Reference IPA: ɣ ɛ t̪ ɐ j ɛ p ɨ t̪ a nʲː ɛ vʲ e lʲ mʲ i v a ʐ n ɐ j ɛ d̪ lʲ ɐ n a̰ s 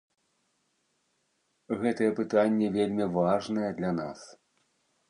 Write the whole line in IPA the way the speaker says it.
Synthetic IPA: ɣ ɛ t̪ ɐ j ɛ p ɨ t̪ a nʲː ɛ vʲ e lʲ mʲ i v a ʐ n ɐ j ɛ d̪ lʲ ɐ n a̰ s